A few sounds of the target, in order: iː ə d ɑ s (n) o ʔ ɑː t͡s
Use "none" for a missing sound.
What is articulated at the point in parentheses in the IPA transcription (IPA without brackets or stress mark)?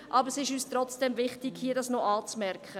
n